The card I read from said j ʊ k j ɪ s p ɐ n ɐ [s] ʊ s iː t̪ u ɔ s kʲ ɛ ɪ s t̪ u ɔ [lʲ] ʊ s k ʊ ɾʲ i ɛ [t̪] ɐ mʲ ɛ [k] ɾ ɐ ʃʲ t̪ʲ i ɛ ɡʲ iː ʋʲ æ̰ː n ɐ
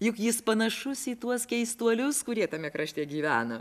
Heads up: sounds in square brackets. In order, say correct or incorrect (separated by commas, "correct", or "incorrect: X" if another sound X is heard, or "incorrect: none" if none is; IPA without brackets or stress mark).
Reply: incorrect: ʃ, correct, correct, correct